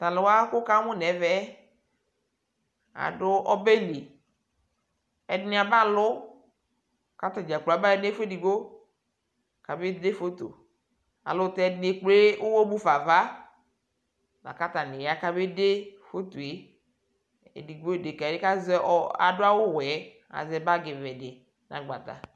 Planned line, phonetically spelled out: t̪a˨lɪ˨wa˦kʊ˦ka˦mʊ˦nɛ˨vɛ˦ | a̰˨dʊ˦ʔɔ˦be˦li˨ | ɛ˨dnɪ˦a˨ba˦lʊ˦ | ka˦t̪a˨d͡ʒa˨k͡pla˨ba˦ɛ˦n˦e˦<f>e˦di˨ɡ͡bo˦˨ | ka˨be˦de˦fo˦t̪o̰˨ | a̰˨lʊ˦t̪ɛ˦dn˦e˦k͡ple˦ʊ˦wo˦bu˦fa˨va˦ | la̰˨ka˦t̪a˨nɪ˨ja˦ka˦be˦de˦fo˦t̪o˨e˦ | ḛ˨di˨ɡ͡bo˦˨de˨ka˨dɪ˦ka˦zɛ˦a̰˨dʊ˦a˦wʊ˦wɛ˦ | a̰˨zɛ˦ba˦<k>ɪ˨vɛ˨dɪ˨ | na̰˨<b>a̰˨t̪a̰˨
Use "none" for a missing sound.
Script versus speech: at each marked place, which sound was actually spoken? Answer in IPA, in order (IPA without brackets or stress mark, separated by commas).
f, ɡ, ɡ͡b